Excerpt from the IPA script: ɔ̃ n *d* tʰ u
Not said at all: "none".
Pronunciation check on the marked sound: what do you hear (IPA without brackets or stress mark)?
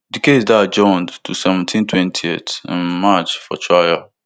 d